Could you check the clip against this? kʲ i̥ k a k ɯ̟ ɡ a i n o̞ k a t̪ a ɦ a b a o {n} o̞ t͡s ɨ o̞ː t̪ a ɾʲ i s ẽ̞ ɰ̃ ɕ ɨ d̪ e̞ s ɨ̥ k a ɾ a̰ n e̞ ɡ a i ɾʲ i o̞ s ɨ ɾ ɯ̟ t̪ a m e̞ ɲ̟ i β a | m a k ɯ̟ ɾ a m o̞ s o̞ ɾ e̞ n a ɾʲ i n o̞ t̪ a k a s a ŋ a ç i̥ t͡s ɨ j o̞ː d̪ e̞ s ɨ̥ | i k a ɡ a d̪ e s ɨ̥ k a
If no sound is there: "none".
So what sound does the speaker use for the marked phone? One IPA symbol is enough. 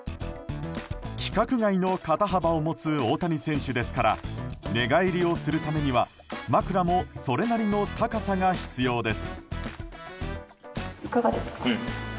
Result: m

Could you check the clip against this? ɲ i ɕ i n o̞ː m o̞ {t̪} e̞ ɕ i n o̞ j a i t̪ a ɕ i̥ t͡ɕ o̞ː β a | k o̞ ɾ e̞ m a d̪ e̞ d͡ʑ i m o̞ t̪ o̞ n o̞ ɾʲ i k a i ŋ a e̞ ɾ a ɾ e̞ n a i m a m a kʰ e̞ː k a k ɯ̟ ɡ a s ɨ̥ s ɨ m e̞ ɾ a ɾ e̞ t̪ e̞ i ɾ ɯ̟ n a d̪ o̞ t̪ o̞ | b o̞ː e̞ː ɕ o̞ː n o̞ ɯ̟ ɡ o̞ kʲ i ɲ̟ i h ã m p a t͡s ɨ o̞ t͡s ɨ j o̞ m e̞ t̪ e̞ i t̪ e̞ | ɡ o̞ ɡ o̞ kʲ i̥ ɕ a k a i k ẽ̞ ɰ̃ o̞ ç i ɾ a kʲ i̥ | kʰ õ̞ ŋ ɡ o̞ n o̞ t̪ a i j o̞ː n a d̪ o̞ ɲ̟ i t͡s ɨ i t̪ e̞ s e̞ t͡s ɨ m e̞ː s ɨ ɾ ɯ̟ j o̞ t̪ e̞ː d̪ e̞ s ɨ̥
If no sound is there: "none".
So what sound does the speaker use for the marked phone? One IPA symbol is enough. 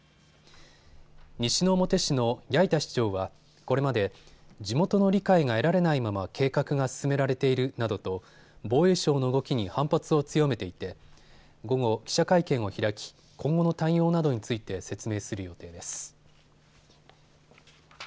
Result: t̪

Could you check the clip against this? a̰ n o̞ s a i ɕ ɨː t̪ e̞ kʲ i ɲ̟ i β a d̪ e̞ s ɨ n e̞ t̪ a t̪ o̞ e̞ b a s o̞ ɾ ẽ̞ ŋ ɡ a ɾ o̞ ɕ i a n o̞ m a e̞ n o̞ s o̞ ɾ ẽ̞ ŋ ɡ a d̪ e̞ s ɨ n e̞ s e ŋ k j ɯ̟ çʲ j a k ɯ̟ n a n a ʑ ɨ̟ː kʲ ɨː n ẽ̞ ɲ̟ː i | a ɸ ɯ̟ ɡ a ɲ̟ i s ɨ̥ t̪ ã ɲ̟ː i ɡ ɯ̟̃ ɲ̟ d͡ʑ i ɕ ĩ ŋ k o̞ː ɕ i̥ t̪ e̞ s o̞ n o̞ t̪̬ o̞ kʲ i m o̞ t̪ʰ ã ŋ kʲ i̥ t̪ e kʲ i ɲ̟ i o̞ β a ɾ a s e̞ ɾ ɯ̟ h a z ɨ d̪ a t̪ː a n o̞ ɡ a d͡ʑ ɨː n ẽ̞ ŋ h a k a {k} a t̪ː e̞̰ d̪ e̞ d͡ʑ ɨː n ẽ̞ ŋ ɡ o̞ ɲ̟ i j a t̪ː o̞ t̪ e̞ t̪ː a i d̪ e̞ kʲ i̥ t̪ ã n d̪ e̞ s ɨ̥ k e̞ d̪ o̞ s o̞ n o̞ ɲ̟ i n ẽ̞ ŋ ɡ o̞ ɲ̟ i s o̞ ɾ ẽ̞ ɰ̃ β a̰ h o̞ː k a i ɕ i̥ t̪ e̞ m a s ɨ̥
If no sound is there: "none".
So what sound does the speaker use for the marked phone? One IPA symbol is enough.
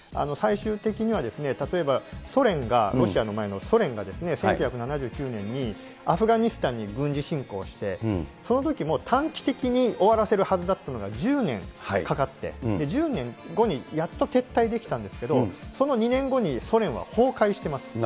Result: k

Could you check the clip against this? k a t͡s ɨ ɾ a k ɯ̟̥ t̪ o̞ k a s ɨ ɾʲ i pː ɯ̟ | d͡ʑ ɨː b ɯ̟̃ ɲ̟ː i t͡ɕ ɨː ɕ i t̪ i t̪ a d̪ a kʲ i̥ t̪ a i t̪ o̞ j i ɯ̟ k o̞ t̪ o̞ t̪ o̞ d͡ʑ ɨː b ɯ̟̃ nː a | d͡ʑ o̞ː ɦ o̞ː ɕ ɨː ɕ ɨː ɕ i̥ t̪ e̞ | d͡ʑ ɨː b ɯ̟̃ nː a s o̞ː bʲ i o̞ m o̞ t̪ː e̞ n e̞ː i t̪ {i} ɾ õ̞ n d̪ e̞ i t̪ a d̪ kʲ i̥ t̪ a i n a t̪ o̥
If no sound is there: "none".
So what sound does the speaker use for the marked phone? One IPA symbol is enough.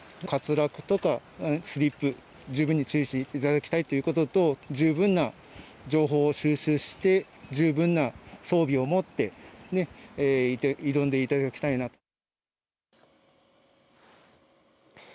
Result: i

